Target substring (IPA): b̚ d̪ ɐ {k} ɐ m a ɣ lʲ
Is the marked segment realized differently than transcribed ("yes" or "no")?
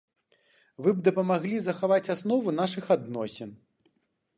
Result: yes